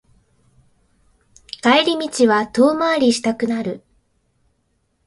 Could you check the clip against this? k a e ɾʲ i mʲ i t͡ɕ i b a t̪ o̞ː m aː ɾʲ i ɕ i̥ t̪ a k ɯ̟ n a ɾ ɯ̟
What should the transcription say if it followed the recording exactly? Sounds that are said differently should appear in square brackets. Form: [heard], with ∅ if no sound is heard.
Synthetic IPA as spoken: k a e ɾʲ i mʲ i t͡ɕ i [β] a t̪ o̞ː m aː ɾʲ i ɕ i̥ t̪ a k ɯ̟ n a ɾ ɯ̟